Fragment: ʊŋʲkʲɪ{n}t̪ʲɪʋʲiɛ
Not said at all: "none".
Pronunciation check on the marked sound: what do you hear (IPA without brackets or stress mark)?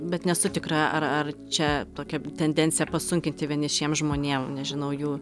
n